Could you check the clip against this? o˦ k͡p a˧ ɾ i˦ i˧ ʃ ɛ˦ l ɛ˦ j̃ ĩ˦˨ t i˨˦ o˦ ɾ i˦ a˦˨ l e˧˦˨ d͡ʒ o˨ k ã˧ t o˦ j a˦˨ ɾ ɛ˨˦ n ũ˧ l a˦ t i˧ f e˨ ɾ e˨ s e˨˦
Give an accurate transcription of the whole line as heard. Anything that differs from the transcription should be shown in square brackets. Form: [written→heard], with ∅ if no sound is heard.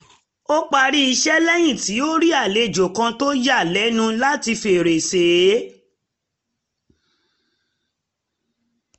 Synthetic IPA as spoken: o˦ k͡p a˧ ɾ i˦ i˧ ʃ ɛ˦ l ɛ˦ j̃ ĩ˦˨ t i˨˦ o˦ ɾ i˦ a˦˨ l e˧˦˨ d͡ʒ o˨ k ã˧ t o˦ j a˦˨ [ɾ→l] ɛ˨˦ n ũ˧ l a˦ t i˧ f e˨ ɾ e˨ s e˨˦